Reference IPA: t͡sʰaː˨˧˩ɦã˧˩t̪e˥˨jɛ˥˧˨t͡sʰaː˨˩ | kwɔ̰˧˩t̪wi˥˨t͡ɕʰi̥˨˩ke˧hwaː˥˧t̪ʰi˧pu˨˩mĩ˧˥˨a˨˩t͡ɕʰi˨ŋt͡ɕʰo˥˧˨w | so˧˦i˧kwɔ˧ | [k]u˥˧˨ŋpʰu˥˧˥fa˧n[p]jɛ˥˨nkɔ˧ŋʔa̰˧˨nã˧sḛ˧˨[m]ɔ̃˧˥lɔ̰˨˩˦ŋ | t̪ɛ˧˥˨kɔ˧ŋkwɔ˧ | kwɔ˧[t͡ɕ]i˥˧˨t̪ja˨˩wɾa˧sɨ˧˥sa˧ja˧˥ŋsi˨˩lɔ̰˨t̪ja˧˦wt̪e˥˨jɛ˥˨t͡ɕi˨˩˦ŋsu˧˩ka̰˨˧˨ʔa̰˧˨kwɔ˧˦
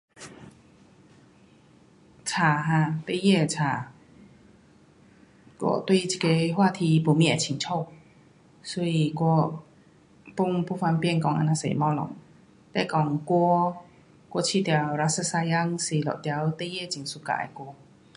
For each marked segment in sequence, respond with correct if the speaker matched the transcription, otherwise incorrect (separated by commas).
incorrect, correct, correct, incorrect